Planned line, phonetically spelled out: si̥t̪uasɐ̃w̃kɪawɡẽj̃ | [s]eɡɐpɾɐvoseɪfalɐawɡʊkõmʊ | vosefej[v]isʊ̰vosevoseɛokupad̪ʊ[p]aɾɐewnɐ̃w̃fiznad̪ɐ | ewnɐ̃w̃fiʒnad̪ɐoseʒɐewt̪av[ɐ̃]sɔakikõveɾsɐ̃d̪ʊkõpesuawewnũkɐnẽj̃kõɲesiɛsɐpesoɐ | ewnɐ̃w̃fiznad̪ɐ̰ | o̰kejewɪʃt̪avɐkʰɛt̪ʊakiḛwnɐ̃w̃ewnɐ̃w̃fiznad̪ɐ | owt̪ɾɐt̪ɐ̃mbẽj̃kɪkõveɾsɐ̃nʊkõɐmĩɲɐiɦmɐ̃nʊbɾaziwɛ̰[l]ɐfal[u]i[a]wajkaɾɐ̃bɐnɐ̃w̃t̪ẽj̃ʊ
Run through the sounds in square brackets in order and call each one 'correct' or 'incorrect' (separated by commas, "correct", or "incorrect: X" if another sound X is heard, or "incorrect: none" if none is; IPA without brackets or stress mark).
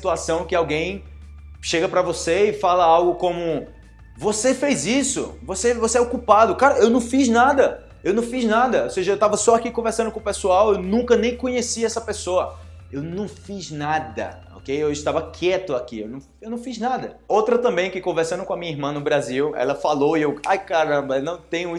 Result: incorrect: ʃ, incorrect: z, incorrect: k, incorrect: ɐ, correct, incorrect: o, incorrect: e